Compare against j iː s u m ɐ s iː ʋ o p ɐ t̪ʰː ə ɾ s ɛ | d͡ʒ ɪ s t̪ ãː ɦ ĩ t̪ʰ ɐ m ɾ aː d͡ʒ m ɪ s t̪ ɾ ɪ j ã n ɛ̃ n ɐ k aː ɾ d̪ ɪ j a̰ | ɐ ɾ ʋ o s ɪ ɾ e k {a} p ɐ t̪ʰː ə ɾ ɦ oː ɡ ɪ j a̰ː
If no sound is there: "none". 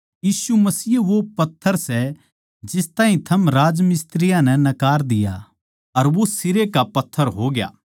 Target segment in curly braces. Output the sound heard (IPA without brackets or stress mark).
a